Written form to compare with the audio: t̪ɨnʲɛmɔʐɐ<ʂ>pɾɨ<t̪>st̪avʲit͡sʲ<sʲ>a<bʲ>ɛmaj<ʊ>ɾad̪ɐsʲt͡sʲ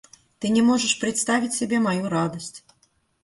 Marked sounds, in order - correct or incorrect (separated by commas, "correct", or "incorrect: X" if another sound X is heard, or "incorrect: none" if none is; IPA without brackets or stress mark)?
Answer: correct, correct, correct, correct, incorrect: u